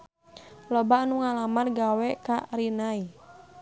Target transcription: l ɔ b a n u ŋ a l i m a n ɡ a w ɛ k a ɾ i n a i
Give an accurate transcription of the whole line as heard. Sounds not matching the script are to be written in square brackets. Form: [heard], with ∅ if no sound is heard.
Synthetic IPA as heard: l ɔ b a n u ŋ a l [a] m a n ɡ a w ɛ k a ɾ i n a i

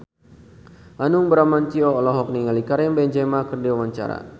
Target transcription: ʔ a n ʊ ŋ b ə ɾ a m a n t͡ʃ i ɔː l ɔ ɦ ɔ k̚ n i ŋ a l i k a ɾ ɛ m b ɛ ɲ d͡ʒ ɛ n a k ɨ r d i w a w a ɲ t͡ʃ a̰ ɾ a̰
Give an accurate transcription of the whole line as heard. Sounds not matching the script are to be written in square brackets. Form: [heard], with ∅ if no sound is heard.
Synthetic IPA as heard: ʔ a n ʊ ŋ b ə ɾ a m a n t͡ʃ i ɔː l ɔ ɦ ɔ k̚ n i ŋ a l i k a ɾ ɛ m b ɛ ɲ d͡ʒ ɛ [m] a k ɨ r d i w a w a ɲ t͡ʃ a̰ ɾ a̰

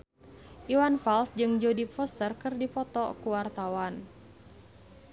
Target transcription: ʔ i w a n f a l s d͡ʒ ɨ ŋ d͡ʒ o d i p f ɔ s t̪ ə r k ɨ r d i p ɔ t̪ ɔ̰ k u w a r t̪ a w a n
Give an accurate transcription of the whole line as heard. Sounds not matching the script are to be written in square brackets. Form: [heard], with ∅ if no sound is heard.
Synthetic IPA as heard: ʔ i w a n f a l s d͡ʒ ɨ ŋ d͡ʒ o d i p f ɔ s t̪ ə r k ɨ r d i p ɔ t̪ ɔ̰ k u w a r t̪ a w a n

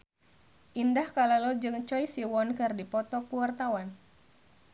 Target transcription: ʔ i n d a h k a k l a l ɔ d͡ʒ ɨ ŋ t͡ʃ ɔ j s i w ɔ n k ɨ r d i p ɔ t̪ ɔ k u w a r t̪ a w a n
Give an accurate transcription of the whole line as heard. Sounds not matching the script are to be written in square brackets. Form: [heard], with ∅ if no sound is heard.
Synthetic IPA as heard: ʔ i n d a h k a [∅] l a l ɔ d͡ʒ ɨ ŋ t͡ʃ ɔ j s i w ɔ n k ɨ r d i p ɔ t̪ ɔ k u w a r t̪ a w a n

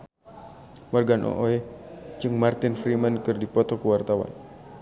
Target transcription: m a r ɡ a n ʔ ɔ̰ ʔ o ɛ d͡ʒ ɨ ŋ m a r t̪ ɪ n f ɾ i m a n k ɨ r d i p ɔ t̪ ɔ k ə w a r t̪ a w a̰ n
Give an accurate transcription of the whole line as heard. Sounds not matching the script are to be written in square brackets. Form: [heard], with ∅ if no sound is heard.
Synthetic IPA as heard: m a r ɡ a n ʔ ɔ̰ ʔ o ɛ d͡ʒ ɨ ŋ m a r t̪ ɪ n f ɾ i m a n k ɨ r d i p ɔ t̪ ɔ k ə w a r t̪ a w a̰ n

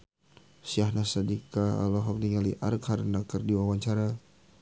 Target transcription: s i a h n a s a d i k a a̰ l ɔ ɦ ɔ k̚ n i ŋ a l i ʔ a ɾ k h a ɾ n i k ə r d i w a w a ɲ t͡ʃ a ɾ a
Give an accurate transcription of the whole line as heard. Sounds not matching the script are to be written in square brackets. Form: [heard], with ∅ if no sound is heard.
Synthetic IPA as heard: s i a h n a s a d i k a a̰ l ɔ ɦ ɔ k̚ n i ŋ a l i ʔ a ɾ k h a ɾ n [a] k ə r d i w a w a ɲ t͡ʃ a ɾ a

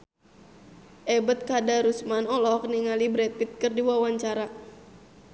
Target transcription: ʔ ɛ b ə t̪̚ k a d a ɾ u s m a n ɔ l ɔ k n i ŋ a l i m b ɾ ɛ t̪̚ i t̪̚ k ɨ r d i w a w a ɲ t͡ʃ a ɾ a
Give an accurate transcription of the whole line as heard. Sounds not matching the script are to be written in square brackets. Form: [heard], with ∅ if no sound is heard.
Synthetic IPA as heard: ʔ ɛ b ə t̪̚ k a d a ɾ u s m a n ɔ l ɔ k n i ŋ a l i [∅] b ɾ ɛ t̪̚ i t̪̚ k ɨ r d i w a w a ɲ t͡ʃ a ɾ a

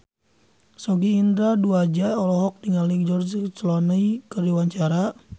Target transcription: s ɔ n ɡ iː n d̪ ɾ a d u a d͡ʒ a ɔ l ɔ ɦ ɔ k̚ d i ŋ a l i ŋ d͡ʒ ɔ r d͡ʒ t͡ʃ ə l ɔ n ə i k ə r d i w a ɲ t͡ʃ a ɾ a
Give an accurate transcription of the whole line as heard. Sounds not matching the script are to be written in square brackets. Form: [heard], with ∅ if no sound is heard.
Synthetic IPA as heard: s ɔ [∅] ɡ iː n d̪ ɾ a d u a d͡ʒ a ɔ l ɔ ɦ ɔ k̚ d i ŋ a l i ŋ d͡ʒ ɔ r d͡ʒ t͡ʃ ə l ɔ n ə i k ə r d i w a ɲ t͡ʃ a ɾ a

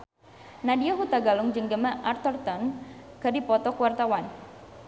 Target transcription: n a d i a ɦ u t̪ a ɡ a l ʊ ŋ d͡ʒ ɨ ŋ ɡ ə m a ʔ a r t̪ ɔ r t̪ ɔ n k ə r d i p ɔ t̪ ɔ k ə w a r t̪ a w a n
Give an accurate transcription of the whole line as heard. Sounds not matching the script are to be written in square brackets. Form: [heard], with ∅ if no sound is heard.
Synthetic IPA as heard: n a d i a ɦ u t̪ a ɡ a l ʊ ŋ d͡ʒ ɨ ŋ ɡ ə m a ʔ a r t̪ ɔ r t̪ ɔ n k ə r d i p ɔ t̪ ɔ k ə w a r t̪ a w a n

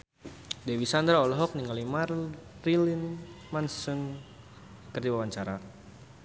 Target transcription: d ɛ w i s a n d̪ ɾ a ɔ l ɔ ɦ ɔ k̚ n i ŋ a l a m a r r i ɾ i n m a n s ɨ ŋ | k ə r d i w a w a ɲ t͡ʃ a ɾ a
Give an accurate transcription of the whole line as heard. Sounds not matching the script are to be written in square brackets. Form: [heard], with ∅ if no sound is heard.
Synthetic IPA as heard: d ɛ w i s a n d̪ ɾ a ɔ l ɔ ɦ ɔ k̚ n i ŋ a l [i] m a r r i [l] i n m a n s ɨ ŋ | k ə r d i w a w a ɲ t͡ʃ a ɾ a

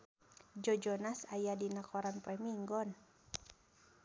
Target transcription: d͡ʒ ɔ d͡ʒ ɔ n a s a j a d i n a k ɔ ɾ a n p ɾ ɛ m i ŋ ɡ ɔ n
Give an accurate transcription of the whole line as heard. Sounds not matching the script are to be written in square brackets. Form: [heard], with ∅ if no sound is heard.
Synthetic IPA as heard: d͡ʒ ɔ d͡ʒ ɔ n a s a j a d i n a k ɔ ɾ a n p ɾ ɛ m i ŋ ɡ ɔ n

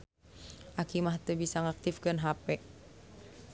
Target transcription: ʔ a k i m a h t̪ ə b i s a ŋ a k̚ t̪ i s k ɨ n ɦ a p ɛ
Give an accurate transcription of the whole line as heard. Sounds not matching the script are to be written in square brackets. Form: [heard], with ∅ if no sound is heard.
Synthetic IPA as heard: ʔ a k i m a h t̪ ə b i s a ŋ a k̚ t̪ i [f] k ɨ n ɦ a p ɛ

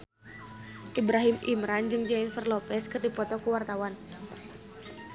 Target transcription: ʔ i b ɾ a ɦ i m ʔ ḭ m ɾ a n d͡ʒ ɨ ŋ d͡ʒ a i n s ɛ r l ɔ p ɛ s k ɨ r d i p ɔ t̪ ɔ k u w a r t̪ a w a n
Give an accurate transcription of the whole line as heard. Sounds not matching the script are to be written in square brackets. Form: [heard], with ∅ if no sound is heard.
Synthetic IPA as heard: ʔ i b ɾ a ɦ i m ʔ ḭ m ɾ a n d͡ʒ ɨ ŋ d͡ʒ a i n [f] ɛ r l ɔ p ɛ s k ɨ r d i p ɔ t̪ ɔ k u w a r t̪ a w a n

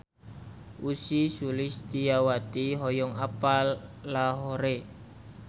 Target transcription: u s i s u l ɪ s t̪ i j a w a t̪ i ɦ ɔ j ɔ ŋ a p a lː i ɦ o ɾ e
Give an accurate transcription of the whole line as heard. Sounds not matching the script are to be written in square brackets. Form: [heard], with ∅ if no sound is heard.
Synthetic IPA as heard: u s i s u l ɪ s t̪ i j a w a t̪ i ɦ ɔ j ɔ ŋ a p a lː [a] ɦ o ɾ e

